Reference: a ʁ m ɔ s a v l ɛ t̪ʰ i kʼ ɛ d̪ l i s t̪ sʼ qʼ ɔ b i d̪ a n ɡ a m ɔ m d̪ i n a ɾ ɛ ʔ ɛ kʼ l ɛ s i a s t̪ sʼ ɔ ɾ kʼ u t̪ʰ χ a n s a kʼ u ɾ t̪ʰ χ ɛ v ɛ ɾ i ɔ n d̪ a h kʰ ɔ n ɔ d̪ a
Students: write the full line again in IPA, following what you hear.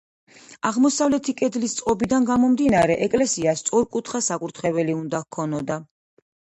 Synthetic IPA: a ʁ m ɔ s a v l ɛ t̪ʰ i kʼ ɛ d̪ l i s t̪ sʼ qʼ ɔ b i d̪ a n ɡ a m ɔ m d̪ i n a ɾ ɛ ʔ ɛ kʼ l ɛ s i a s t̪ sʼ ɔ ɾ kʼ u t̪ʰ χ a s a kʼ u ɾ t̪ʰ χ ɛ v ɛ l i u n d̪ a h kʰ ɔ n ɔ d̪ a